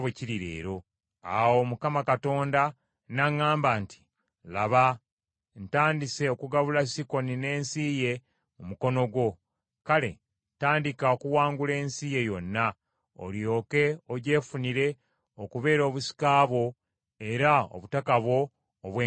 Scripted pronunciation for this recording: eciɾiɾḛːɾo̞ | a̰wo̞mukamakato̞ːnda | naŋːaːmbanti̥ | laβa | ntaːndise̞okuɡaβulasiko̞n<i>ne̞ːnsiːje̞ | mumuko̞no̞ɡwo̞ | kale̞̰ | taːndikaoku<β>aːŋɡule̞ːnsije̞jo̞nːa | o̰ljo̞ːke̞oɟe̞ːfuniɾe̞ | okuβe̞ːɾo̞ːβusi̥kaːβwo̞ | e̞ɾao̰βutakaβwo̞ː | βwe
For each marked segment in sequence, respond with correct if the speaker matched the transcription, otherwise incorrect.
correct, incorrect

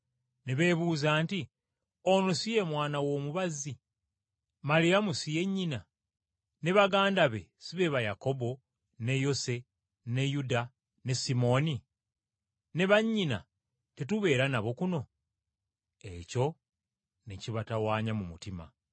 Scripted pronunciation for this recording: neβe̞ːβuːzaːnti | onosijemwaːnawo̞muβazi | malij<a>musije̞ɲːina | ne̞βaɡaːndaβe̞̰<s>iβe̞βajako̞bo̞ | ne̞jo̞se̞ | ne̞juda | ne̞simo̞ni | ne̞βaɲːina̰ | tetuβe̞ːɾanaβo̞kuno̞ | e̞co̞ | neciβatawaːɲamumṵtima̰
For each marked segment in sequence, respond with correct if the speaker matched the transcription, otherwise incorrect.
correct, correct

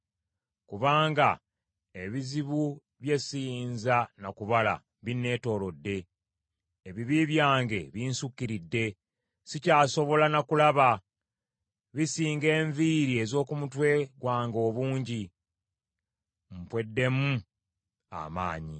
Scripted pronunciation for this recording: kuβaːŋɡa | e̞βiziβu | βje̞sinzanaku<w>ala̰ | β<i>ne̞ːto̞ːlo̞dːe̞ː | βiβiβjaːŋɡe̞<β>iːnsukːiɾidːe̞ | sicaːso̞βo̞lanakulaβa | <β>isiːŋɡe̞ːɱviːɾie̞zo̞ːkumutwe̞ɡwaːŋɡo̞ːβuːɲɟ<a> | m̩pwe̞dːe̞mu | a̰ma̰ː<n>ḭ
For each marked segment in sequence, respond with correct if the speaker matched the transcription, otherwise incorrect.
incorrect, correct, correct, correct, incorrect, incorrect

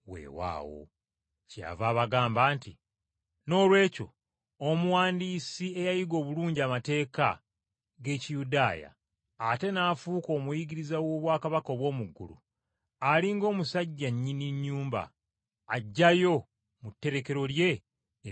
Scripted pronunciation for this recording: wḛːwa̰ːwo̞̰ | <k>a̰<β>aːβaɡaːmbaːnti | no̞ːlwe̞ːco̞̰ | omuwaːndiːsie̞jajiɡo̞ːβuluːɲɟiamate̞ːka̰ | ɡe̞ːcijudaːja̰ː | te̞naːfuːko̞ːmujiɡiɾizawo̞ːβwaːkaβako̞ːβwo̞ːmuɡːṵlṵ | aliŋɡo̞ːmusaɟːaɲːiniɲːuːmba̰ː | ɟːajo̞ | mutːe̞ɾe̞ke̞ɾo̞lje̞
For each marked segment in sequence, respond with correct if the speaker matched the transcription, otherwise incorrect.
incorrect, incorrect

